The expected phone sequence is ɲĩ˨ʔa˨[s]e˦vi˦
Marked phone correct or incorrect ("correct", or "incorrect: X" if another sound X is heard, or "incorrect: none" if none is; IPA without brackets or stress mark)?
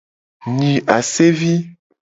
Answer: correct